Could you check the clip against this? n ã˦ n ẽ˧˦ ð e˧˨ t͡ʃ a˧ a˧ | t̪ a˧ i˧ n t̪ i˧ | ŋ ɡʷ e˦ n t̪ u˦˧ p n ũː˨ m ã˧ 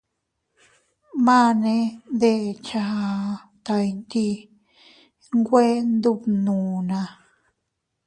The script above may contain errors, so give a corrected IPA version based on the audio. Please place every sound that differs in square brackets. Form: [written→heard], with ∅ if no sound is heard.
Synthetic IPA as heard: [n→m] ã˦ n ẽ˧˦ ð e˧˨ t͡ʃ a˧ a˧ | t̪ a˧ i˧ n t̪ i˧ | ŋ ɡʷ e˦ n [t̪→d̪] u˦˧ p n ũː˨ [m→n] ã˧